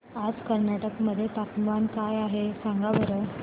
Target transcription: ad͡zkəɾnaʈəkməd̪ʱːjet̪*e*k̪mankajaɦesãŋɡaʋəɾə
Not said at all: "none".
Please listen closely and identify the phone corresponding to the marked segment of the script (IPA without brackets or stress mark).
a